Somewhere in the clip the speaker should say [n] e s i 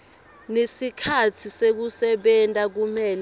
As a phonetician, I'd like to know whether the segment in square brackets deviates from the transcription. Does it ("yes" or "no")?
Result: no